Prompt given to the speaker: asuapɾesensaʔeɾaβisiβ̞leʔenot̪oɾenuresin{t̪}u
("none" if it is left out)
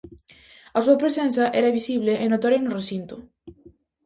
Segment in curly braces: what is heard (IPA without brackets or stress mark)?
t̪